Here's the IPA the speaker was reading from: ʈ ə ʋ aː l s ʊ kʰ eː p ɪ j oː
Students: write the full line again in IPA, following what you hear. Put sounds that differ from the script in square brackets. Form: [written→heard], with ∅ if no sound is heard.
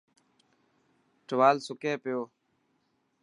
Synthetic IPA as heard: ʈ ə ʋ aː l s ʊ [kʰ→k] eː p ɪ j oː